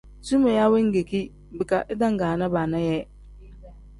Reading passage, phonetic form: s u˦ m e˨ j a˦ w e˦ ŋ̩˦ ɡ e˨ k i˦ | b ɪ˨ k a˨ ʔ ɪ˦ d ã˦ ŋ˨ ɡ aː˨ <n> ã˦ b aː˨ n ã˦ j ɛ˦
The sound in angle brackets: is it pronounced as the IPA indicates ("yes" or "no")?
yes